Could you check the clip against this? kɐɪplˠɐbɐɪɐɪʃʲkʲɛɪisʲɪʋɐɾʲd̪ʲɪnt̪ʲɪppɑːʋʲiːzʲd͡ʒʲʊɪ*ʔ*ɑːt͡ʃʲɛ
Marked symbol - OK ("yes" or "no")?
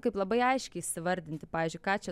no